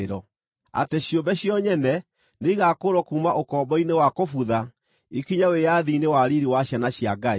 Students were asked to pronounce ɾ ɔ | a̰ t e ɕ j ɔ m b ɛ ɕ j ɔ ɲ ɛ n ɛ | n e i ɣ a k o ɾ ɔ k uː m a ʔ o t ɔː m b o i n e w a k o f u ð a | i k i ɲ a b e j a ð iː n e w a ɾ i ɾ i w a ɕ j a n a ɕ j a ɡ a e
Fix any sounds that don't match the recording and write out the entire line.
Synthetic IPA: ɾ ɔ | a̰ t e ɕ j o m b ɛ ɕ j ɔ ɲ ɛ n ɛ | n e i ɣ a k o ɾ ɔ k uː m a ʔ o k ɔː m b ɔ i n e w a k o f u ð a | i k i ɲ a w e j a ð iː n e w a ɾ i ɾ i w a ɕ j a n a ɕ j a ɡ a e

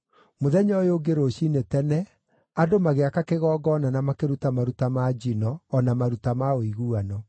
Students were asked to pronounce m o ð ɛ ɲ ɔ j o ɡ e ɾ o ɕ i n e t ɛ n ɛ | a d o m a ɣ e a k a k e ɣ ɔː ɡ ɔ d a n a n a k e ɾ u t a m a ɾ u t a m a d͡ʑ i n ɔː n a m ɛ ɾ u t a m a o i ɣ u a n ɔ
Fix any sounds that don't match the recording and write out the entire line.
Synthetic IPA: m o ð ɛ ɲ ɔ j o ɡ e ɾ o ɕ i n e t ɛ n ɛ | a d o m a ɣ e a k a k e ɣ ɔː ɡ ɔ n a n a m a k e ɾ u t a m a ɾ u t a m a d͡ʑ i n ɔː n a m a ɾ u t a m a o i ɣ u a n ɔ

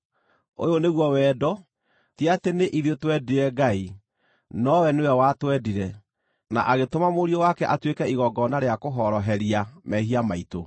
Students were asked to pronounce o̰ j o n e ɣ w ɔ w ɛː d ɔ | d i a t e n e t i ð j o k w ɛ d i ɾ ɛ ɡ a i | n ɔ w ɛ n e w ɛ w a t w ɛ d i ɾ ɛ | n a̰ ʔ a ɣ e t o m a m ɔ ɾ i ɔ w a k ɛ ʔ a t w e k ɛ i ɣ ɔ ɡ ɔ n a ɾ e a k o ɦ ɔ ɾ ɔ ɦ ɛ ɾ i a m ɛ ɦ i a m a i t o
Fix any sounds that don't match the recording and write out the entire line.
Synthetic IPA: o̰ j o n e ɣ w ɔ w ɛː d ɔ | t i a t e n e ʔ i ð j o t w ɛ d i ɾ ɛ ɡ a i | n ɔ w ɛ n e w ɛ w a t w ɛ d i ɾ ɛ | n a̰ ʔ a ɣ e t o m a m o ɾ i ɔ w a k ɛ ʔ a t w e k ɛ i ɣ ɔ ɡ ɔ n a ɾ e a k o ɦ ɔ ɾ ɔ ɦ ɛ ɾ i a m ɛ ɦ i a m a i t o

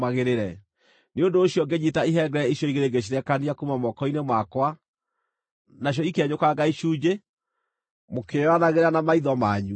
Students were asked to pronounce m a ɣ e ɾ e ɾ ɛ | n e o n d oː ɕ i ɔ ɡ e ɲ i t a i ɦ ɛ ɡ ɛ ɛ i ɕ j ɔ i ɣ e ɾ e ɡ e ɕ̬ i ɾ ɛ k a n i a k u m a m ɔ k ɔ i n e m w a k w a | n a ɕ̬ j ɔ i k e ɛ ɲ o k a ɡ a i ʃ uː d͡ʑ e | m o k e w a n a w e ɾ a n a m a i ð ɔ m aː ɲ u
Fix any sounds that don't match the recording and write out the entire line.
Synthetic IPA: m a ɣ e ɾ e ɾ ɛ | n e o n d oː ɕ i ɔ ɡ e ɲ i t a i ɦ ɛ ɡ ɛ ɛ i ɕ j ɔ i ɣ e ɾ e ɡ e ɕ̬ i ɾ ɛ k a n i a k u m a m ɔ k ɔ i n e m w a k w a | n a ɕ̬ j ɔ i k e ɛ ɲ o k a ɡ a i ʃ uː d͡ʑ e | m o k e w a n a ɣ e ɾ a n a m a i ð ɔ m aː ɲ u

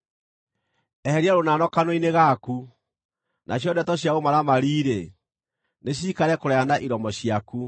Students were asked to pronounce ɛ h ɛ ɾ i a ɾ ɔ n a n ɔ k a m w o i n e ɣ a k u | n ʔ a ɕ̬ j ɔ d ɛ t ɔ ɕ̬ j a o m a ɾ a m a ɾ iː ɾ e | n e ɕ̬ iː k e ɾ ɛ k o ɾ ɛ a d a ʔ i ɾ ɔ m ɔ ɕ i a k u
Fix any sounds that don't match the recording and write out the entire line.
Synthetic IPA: ɛ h ɛ ɾ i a ɾ o n a n ɔ k a n w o i n e ɣ a k u | n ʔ a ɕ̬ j ɔ d ɛ t ɔ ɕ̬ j a o m a ɾ a m a ɾ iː ɾ e | n e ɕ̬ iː k a ɾ ɛ k o ɾ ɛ a n a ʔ i ɾ ɔ m ɔ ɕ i a k u

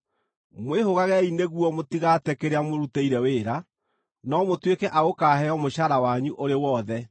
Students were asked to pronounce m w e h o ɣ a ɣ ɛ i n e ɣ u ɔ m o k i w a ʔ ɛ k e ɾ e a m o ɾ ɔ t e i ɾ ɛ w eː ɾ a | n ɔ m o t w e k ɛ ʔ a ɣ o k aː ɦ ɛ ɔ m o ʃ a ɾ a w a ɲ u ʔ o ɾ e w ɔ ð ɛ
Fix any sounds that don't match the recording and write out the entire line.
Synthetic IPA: m w e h o ɣ a ɣ ɛ i n e ɣ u ɔ m o t i ɣ a t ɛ k e ɾ e a m o ɾ u t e i ɾ ɛ w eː ɾ a | n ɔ m o t w e k ɛ ʔ a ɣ o k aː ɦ ɛ ɔ m o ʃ a ɾ a w a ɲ u ʔ o ɾ e w ɔ ð ɛ

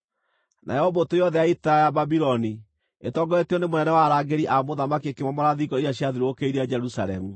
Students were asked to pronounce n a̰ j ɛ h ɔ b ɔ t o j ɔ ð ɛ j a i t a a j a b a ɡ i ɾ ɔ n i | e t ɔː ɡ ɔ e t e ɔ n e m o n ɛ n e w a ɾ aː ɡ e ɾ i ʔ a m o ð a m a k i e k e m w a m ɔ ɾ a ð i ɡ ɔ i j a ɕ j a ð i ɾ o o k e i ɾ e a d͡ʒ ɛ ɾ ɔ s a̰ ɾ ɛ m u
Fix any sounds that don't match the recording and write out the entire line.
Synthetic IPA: n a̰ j ɛ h ɔ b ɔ t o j ɔ ð ɛ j a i t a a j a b a b i ɾ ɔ n i | e t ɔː ɡ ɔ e t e ɔ n e m o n ɛ n ɛ w a ɾ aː ɡ e ɾ i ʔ a m o ð a m a k i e k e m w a m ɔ ɾ a ð i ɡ ɔ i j a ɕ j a ð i ɾ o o k e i ɾ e a d͡ʒ ɛ ɾ u s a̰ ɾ ɛ m u

